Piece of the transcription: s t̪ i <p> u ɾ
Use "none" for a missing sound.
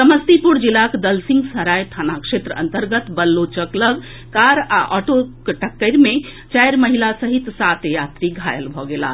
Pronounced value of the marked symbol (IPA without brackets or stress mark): p